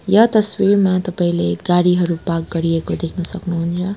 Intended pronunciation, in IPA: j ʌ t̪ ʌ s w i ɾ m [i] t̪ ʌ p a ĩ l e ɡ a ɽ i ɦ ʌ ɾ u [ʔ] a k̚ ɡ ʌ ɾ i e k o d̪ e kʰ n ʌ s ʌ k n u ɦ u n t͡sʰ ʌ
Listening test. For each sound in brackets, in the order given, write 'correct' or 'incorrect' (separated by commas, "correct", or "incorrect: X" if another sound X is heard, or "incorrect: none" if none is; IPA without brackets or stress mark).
incorrect: a, incorrect: p